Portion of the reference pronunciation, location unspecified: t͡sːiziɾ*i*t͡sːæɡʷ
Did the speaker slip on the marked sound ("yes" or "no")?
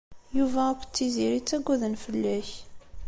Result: no